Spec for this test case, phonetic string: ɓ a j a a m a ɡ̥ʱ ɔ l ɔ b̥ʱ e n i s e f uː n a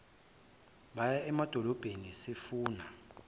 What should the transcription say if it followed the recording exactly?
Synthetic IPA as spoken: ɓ a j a ɛ m a d̥ʱ ɔ l ɔ b̥ʱ e n i s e f uː n a